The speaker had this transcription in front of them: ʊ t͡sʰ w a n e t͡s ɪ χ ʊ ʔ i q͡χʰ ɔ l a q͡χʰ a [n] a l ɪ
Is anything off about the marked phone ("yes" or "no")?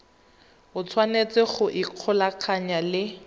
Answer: yes